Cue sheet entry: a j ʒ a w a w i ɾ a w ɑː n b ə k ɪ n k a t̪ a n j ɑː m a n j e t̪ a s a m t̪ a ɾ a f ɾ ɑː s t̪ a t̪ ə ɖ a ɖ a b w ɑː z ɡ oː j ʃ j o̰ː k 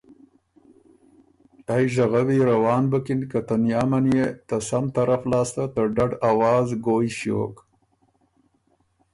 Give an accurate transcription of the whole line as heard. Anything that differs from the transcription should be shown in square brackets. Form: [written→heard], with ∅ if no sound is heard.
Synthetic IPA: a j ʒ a [w→ɣ] a w i ɾ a w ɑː n b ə k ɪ n k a t̪ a n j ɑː m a n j e t̪ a s a m t̪ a ɾ a f [ɾ→l] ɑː s t̪ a t̪ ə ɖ a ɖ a [b→∅] w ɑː z ɡ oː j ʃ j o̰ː k